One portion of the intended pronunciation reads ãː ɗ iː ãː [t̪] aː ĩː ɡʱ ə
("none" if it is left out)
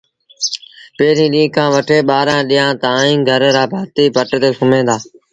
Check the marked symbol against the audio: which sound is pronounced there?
t̪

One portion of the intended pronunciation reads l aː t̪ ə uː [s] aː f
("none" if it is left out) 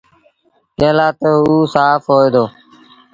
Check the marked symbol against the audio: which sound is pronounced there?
s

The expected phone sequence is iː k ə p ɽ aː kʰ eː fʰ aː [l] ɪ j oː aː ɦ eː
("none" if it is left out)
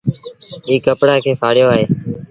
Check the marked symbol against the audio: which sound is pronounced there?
ɽ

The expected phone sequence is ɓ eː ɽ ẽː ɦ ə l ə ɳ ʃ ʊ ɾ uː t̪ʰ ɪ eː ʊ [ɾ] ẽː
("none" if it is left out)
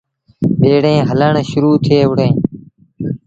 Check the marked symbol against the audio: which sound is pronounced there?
ɽ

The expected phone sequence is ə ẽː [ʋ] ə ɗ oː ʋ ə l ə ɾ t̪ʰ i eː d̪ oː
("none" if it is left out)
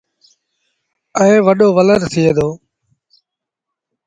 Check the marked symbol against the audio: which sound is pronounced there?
ʋ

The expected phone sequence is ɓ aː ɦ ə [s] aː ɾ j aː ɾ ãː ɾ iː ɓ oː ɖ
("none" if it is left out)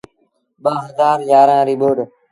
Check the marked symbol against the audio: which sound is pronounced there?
z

